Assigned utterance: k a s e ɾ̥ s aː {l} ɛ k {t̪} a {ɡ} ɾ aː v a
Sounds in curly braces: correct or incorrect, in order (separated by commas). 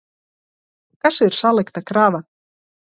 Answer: correct, correct, incorrect